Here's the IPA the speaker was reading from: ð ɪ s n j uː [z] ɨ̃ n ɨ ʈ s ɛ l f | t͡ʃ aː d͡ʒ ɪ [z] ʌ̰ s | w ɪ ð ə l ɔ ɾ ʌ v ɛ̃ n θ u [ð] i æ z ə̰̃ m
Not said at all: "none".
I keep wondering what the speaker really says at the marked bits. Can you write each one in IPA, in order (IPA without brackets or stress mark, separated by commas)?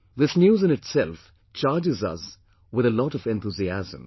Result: z, z, z